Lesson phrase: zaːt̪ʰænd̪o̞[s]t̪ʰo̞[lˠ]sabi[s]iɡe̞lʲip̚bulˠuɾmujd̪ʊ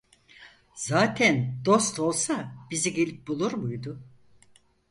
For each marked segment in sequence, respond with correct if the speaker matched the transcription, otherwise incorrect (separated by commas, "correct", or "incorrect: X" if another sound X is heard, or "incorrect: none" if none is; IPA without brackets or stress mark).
correct, correct, incorrect: z